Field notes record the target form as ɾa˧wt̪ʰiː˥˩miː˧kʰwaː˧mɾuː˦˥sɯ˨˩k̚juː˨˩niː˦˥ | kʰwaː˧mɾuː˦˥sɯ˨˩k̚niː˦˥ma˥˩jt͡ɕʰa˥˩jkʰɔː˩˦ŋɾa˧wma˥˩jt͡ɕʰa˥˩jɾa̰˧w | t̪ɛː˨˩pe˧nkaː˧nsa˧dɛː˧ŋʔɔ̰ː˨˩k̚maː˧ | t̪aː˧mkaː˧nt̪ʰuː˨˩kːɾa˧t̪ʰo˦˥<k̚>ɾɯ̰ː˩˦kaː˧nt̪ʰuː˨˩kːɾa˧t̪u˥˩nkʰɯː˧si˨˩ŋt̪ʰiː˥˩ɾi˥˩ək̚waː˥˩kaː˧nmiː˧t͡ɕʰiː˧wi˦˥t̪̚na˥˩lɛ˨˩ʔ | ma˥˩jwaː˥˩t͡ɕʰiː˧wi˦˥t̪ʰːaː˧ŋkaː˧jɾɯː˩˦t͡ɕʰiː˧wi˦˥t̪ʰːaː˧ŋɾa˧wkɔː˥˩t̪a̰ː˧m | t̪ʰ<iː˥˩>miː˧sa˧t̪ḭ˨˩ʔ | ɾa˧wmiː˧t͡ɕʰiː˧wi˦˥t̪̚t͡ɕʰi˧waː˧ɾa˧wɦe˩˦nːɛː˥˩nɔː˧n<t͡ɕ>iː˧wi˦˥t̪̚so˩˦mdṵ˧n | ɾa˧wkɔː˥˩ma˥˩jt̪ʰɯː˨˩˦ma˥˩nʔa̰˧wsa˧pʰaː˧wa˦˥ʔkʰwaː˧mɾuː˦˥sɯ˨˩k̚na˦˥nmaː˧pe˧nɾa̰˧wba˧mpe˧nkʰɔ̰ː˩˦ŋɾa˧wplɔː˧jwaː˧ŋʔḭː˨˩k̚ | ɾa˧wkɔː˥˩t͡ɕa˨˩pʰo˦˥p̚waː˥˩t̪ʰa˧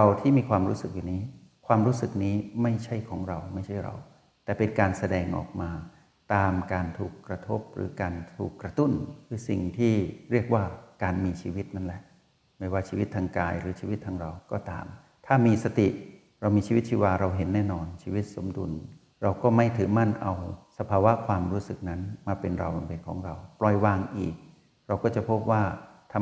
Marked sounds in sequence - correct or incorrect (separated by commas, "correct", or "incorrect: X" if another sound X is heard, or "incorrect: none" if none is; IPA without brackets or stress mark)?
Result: incorrect: p̚, incorrect: aː˥˩, incorrect: t͡ɕʰ